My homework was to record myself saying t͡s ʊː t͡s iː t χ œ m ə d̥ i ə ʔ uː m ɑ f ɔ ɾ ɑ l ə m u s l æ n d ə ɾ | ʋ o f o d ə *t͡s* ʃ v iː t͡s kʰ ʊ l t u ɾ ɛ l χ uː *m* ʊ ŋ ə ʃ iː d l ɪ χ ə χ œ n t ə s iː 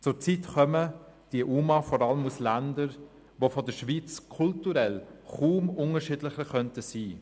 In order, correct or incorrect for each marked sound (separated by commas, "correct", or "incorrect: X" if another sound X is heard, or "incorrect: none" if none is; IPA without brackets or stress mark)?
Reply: incorrect: none, correct